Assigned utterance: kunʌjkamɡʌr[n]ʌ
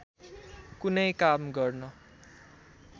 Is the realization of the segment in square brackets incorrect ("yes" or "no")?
no